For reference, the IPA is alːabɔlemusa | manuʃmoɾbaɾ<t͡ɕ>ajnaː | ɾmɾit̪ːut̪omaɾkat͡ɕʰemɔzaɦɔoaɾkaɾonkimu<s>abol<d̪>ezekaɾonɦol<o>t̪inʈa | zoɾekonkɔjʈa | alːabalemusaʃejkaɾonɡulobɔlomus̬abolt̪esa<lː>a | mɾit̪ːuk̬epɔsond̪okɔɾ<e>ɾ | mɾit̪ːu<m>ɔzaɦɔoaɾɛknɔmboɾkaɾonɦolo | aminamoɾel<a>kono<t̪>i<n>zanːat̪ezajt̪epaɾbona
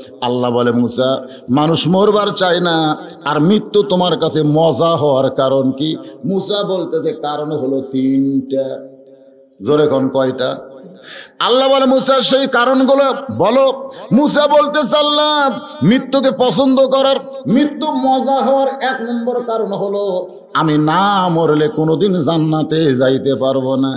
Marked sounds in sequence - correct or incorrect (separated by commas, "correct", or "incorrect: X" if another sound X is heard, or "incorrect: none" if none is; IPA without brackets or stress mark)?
correct, correct, incorrect: t̪, correct, correct, incorrect: a, correct, incorrect: e, incorrect: d̪, correct